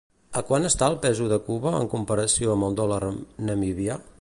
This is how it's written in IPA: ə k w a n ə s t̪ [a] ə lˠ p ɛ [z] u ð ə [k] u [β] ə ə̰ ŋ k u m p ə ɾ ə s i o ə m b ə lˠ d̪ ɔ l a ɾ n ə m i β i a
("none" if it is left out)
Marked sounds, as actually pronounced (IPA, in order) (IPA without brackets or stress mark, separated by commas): a, z, k, β